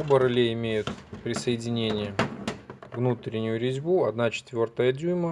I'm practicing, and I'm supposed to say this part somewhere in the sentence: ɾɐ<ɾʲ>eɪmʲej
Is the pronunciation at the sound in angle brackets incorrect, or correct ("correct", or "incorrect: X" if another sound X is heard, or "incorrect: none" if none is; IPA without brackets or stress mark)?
incorrect: lʲ